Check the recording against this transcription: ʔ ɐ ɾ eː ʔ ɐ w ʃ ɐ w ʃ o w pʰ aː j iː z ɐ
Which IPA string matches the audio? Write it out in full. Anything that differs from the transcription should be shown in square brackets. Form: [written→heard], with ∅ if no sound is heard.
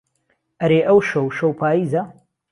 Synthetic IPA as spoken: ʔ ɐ ɾ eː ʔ ɐ w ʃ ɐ w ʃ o w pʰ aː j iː z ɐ